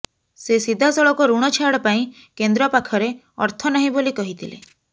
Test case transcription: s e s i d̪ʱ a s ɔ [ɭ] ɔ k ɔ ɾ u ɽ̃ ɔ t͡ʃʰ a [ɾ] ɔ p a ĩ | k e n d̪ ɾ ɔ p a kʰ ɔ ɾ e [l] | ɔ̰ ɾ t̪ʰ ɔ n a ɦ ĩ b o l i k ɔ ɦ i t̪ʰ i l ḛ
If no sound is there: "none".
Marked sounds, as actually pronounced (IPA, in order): ɭ, ɽ, none

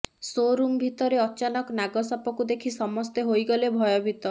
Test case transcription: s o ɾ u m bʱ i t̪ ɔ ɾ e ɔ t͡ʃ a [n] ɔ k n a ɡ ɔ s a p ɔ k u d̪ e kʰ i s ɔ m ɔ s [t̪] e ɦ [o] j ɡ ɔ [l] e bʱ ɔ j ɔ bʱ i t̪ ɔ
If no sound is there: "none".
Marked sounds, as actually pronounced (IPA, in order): n, t̪, o, l

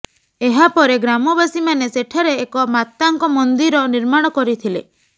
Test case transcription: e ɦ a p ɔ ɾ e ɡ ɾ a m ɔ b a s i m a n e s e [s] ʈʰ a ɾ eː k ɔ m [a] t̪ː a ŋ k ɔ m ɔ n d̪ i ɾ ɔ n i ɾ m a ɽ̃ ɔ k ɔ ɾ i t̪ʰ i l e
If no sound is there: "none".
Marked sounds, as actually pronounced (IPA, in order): none, a

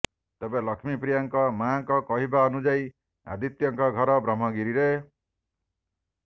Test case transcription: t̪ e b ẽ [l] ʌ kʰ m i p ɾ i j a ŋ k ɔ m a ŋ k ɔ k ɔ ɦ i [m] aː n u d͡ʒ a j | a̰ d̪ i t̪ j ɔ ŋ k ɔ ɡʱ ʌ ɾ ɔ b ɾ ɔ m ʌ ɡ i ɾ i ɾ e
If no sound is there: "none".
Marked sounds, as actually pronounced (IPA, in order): l, b

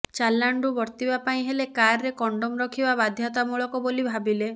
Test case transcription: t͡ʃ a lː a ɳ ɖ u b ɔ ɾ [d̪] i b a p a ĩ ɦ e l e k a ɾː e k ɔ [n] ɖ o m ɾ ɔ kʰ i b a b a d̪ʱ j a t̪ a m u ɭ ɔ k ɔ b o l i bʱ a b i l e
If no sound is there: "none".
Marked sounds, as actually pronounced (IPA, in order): t̪, ɳ

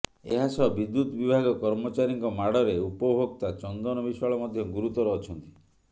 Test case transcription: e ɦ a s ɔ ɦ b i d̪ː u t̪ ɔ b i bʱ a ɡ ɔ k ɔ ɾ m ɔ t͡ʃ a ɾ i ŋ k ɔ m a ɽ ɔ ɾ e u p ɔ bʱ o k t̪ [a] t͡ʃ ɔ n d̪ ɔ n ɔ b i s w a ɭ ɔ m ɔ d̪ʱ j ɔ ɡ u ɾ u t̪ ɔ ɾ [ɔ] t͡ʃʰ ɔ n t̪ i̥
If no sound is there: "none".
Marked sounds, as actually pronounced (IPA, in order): a, ɔː

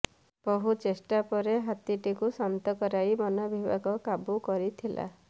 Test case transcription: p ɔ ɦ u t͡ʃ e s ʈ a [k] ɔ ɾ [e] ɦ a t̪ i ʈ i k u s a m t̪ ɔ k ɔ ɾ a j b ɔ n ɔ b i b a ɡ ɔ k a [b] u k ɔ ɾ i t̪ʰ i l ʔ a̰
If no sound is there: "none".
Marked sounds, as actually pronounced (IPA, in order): p, e, b

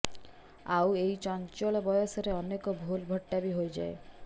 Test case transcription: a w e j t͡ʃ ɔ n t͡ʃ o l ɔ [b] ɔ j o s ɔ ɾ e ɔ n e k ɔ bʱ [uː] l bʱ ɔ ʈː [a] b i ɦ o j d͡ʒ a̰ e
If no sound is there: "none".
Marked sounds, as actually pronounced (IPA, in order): b, u, a

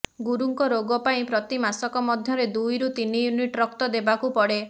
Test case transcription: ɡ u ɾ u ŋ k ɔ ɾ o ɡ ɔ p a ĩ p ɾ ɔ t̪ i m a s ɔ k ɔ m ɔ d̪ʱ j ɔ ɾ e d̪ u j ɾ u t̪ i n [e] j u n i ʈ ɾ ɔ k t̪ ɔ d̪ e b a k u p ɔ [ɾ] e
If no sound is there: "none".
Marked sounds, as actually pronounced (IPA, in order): i, ɽ

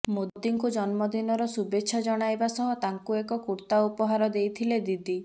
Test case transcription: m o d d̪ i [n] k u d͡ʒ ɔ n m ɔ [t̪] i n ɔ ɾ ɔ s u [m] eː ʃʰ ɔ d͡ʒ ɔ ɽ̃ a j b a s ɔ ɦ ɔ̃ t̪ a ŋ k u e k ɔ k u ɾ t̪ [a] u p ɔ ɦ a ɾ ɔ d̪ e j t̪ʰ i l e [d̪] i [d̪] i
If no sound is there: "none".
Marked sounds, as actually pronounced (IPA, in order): ŋ, d̪, b, a, d̪, d̪

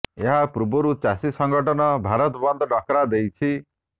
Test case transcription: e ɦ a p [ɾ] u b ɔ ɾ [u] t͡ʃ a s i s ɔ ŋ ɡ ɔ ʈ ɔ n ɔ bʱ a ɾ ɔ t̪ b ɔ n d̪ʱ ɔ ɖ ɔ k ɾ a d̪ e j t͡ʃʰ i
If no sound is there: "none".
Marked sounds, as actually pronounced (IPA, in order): ɾ, u

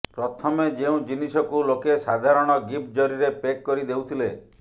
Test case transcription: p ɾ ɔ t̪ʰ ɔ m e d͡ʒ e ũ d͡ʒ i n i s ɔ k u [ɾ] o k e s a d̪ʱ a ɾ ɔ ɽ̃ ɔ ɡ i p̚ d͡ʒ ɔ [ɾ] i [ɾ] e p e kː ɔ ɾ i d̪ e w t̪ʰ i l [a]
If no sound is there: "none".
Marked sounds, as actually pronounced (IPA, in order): l, ɾ, ɾ, e

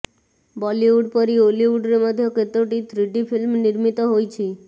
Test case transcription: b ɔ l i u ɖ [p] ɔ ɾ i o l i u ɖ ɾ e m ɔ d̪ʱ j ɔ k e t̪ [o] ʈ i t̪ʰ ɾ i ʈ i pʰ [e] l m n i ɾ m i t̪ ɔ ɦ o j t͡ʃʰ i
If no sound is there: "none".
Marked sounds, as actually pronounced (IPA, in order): p, o, i

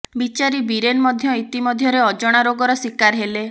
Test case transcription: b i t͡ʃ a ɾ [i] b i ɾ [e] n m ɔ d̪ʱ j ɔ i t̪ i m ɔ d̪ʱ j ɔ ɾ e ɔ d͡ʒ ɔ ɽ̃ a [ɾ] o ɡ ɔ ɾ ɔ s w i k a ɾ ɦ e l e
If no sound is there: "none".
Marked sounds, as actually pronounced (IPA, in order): i, e, ɾ

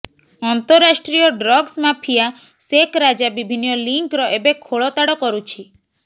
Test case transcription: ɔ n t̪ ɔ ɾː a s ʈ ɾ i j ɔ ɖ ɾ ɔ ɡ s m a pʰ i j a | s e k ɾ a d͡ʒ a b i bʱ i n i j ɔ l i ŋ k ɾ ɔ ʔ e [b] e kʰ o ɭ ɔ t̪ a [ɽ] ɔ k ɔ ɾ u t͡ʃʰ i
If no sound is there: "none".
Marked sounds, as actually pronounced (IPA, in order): b, ɽ

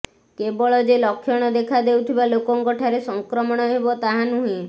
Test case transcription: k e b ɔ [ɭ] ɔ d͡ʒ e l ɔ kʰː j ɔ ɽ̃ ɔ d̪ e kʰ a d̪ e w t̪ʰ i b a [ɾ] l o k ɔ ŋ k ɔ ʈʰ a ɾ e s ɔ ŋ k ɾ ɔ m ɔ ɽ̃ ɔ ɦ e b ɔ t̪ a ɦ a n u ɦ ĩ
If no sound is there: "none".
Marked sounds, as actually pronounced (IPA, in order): ɭ, none

